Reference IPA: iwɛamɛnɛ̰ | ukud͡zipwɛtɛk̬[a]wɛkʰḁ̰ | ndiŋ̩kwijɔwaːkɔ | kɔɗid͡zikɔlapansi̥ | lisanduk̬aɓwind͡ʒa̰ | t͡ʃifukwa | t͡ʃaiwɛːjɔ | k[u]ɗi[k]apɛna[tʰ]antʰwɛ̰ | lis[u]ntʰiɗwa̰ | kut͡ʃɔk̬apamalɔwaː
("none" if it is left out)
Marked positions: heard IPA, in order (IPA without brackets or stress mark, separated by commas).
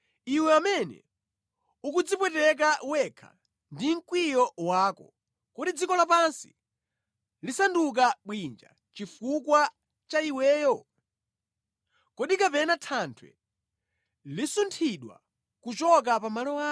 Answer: a, ɔ, k, tʰ, u